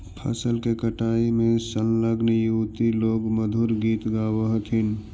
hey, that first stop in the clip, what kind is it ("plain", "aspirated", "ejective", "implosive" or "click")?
aspirated